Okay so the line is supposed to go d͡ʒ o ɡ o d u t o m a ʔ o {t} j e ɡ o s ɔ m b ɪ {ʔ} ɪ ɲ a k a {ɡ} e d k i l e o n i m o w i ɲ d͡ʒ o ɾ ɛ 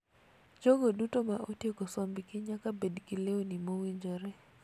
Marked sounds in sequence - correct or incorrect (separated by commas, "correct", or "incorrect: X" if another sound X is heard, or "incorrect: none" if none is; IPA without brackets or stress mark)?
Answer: correct, incorrect: k, incorrect: b